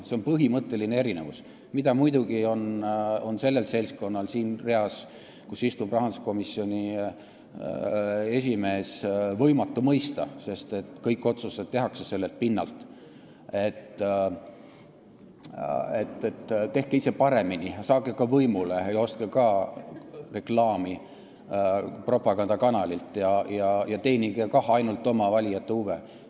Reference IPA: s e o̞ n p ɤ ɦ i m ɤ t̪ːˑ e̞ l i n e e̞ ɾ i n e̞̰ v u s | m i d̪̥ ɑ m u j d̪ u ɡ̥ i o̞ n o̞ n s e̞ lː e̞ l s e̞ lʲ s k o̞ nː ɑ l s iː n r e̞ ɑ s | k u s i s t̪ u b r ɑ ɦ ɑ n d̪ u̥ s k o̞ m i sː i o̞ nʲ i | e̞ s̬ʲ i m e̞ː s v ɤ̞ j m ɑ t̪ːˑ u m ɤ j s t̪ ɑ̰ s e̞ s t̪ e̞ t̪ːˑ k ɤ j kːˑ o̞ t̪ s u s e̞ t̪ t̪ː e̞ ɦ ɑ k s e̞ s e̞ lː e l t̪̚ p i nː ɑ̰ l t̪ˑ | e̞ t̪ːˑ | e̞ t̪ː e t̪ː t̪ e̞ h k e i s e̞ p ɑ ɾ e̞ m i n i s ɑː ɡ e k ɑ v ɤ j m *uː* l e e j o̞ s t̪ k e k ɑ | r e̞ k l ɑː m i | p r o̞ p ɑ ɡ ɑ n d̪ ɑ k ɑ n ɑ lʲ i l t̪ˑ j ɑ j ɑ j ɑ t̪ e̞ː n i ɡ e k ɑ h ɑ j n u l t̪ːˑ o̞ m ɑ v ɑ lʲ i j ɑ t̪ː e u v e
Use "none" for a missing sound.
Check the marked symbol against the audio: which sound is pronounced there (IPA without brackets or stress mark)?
u